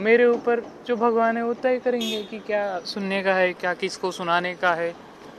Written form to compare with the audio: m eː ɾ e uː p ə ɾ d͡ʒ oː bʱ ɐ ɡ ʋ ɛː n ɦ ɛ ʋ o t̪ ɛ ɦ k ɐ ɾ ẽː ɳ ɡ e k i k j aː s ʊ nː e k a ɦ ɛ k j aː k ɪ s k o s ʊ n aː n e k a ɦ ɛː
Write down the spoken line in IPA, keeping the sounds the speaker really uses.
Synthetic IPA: m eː ɾ e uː p ə ɾ d͡ʒ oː bʱ ɐ ɡ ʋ aː n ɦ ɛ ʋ o t̪ ɛ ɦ k ɐ ɾ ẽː ŋ ɡ e k i k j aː s ʊ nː e k a ɦ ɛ k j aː k ɪ s k o s ʊ n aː n e k a ɦ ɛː